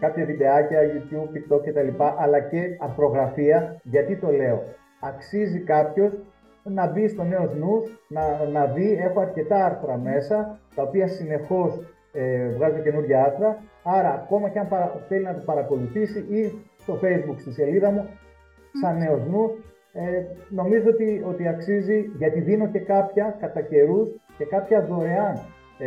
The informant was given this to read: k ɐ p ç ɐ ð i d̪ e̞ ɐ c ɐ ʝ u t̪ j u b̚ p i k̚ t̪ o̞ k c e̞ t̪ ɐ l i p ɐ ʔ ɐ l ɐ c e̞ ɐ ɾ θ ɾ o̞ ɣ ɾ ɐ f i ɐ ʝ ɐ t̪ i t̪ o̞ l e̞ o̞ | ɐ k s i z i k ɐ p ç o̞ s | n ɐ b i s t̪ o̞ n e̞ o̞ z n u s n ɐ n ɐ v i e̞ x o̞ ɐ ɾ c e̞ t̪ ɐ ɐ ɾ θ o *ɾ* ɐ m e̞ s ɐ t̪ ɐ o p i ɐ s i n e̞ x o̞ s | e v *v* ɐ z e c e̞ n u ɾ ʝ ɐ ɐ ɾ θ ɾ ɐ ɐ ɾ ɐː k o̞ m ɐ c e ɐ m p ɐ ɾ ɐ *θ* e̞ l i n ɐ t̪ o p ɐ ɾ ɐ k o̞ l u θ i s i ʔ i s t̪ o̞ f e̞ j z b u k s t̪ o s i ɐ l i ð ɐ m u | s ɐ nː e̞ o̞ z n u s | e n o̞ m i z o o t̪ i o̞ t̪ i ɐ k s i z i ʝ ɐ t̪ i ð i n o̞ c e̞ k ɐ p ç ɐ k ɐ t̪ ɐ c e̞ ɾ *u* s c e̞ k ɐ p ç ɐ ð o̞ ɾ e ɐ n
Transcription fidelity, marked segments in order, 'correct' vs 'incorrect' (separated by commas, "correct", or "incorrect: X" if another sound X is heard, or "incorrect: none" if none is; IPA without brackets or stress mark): correct, incorrect: ɣ, correct, correct